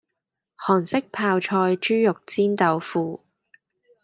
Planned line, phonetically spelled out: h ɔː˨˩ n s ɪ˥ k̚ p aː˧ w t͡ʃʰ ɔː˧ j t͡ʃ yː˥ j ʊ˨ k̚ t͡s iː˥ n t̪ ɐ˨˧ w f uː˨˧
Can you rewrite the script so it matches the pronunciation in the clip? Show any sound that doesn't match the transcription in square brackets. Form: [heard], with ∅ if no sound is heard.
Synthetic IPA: h ɔː˨˩ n s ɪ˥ k̚ [pʰ] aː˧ w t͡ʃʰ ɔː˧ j t͡ʃ yː˥ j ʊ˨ k̚ t͡s iː˥ n t̪ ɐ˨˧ w f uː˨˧